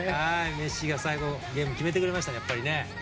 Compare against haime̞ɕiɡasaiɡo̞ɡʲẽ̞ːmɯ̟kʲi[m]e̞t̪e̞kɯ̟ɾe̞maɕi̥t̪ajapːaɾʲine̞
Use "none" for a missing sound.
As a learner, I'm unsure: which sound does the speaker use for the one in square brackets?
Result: m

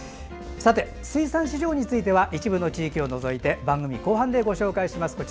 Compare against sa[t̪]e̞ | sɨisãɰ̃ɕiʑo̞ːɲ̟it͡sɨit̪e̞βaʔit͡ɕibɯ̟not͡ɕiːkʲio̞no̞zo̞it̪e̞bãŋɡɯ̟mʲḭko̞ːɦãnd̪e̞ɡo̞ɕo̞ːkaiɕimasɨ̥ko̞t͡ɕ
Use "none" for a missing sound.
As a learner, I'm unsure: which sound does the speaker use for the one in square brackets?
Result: t̪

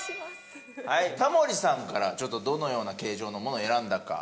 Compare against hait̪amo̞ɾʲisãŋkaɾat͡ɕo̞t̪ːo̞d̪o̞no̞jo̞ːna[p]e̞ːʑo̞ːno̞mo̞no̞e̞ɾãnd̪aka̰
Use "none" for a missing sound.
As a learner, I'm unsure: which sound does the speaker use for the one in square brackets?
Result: k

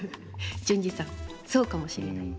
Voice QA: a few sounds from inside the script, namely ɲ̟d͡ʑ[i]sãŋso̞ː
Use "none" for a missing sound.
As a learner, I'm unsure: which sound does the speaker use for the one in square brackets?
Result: i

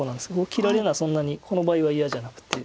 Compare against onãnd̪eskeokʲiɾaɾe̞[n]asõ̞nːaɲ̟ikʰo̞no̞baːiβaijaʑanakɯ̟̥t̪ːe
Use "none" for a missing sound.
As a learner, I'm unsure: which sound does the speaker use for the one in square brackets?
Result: n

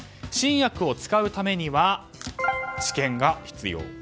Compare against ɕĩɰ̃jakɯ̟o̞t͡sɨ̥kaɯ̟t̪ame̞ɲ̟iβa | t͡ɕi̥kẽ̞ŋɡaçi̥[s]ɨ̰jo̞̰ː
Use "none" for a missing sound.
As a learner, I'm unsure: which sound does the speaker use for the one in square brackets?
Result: t͡s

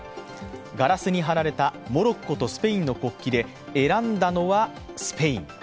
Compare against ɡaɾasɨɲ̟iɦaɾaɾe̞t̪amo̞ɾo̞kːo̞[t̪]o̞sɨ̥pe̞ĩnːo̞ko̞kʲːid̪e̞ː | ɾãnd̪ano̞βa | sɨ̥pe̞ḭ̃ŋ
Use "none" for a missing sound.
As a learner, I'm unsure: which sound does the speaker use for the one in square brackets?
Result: t̪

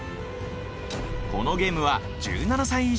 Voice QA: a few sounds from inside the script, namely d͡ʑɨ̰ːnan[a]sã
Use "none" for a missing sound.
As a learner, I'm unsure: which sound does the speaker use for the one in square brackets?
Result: a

